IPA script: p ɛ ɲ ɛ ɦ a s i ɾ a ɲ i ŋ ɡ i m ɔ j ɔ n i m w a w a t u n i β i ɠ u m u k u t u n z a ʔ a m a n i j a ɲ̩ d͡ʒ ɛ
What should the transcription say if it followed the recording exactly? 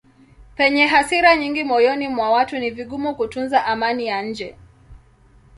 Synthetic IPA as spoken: p ɛ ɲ ɛ ɦ a s i ɾ a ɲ i ŋ ɡ i m ɔ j ɔ n i m w a w a t u n i v i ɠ u m u k u t u n z a ʔ a m a n i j a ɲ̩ d͡ʒ ɛ